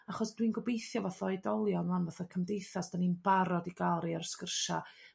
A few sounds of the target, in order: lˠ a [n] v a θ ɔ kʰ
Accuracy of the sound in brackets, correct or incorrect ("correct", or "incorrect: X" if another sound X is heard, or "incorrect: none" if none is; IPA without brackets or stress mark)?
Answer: correct